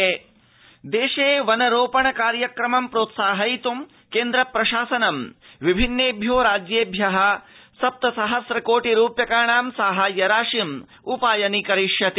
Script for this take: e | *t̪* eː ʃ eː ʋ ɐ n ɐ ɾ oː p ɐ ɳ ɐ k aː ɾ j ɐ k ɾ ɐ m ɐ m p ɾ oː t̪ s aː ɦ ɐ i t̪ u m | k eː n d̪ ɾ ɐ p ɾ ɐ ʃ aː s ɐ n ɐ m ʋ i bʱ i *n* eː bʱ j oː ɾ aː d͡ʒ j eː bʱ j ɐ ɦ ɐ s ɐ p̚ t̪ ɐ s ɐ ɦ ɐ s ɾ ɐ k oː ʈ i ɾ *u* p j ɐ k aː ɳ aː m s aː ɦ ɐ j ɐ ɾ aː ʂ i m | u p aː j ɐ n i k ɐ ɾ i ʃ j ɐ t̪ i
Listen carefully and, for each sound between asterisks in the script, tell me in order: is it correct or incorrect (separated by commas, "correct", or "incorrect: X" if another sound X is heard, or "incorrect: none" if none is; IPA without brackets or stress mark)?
incorrect: d̪, incorrect: nː, incorrect: uː